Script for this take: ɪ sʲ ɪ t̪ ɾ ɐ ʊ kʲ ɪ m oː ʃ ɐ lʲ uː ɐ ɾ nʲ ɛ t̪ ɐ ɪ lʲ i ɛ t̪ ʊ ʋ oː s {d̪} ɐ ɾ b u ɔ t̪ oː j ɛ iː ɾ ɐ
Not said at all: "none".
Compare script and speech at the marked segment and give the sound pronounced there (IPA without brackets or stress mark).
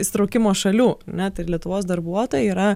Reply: d̪